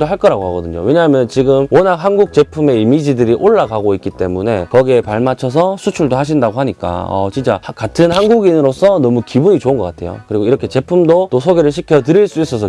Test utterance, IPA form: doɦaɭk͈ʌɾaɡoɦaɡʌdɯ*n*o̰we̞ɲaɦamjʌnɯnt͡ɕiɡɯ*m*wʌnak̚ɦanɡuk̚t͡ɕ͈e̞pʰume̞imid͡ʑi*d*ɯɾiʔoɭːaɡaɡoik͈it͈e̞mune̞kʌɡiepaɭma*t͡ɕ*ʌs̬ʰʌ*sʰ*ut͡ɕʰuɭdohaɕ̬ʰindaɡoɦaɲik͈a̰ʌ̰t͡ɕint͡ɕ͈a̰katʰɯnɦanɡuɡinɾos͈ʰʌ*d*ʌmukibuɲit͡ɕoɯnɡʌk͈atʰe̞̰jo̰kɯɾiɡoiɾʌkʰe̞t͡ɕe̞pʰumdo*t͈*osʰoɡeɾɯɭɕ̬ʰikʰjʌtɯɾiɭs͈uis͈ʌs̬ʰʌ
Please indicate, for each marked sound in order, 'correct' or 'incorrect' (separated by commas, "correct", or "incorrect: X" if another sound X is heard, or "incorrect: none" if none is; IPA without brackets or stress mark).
incorrect: ɲ, correct, correct, incorrect: t͡ɕʰ, correct, incorrect: n, correct